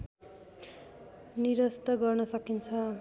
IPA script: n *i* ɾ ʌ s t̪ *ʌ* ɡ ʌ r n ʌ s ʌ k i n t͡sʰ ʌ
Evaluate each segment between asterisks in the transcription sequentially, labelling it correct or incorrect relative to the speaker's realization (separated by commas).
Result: correct, correct